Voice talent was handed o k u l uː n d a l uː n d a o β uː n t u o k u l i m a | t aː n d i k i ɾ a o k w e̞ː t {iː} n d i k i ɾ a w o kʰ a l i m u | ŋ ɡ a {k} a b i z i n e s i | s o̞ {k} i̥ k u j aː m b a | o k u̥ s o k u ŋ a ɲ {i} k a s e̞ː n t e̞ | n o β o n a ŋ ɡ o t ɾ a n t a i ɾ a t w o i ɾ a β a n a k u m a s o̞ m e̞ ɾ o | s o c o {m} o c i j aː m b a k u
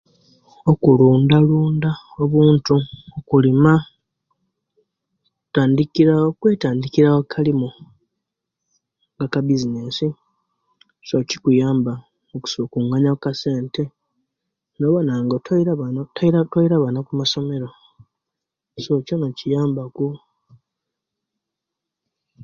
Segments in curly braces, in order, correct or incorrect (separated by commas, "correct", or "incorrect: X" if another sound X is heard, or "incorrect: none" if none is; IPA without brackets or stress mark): incorrect: aː, correct, incorrect: c, incorrect: a, incorrect: n